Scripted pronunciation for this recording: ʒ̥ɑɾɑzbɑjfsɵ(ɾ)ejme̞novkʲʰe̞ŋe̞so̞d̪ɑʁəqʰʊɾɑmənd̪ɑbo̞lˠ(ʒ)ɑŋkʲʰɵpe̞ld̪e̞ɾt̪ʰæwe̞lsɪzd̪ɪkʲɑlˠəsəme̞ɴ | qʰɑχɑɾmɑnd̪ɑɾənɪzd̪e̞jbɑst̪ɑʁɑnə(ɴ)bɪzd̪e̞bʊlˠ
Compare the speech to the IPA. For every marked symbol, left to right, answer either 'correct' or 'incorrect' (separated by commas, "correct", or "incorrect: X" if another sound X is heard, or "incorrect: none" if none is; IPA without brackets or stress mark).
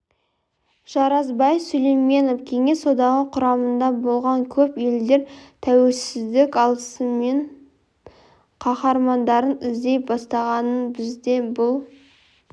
incorrect: l, incorrect: ʁ, incorrect: n